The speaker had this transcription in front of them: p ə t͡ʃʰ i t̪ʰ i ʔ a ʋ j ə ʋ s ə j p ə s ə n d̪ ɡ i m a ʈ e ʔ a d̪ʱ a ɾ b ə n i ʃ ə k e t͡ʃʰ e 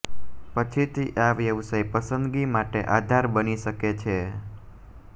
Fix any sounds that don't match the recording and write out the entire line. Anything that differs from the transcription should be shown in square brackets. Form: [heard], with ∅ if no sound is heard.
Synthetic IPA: p ə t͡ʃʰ i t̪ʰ i ʔ a ʋ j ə ʋ s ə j p ə s ə n d̪ ɡ i m a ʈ e ʔ a d̪ʱ a ɾ b ə n i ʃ ə k e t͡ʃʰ e